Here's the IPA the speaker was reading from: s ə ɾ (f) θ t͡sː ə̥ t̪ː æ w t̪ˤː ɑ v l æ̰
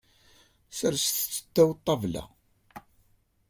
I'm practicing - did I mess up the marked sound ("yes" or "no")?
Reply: yes